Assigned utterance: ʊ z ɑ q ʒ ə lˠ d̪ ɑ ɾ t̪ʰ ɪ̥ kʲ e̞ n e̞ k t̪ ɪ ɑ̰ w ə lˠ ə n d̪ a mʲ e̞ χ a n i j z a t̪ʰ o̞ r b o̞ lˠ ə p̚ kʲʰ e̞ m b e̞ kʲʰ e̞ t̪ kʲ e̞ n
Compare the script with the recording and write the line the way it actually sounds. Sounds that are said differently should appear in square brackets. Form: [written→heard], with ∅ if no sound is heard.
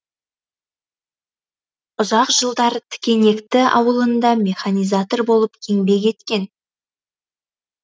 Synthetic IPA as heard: ʊ z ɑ q ʒ ə lˠ d̪ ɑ ɾ t̪ʰ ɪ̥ kʲ e̞ n e̞ k t̪ ɪ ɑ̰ w ə lˠ ə n d̪ [a→ɑ] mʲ e̞ χ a n i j z a [t̪ʰ→t̪] o̞ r b o̞ lˠ ə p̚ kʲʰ e̞ [m→ŋ] b e̞ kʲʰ e̞ t̪ kʲ e̞ n